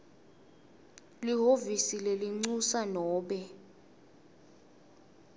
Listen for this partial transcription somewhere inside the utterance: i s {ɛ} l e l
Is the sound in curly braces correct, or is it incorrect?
incorrect